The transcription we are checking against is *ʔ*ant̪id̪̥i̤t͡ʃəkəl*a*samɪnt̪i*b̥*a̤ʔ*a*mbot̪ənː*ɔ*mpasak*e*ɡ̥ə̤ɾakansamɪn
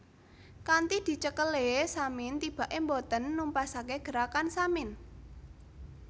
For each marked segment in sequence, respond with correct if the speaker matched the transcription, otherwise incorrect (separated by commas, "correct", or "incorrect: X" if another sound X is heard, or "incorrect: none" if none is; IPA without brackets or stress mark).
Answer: incorrect: k, incorrect: e, correct, incorrect: e, incorrect: u, correct